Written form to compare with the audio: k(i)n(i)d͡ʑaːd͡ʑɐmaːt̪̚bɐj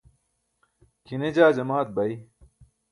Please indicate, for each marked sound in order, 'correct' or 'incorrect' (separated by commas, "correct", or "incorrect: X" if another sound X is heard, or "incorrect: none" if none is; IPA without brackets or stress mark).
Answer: correct, incorrect: e